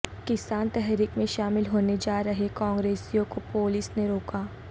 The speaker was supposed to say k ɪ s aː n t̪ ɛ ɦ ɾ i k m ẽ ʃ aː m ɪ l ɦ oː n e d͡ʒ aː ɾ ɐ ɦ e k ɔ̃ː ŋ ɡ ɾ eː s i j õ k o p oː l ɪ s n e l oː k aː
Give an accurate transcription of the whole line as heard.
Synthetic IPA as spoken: k ɪ s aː n t̪ ɛ ɦ ɾ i k m ẽ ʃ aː m ɪ l ɦ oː n e d͡ʒ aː ɾ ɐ ɦ e k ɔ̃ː ŋ ɡ ɾ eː s i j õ k o p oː l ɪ s n e ɾ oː k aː